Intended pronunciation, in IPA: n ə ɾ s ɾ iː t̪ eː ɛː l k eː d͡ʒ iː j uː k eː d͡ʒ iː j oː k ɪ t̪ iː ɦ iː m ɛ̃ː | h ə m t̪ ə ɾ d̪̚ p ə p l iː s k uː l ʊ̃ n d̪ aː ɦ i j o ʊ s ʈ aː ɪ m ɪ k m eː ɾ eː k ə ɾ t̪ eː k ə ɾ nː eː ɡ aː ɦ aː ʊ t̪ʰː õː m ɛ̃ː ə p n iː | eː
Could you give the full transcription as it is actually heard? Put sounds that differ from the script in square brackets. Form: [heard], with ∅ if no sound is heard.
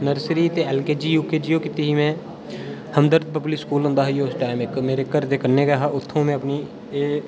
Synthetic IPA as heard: n ə ɾ s ɾ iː t̪ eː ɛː l k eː d͡ʒ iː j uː k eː d͡ʒ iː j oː k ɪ t̪ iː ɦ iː m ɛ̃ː | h ə m [d̪] ə ɾ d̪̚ p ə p l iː s k uː l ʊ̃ n d̪ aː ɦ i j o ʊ s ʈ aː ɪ m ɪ k m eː ɾ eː k ə ɾ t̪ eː k ə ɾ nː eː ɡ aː ɦ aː ʊ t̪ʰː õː m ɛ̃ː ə p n iː | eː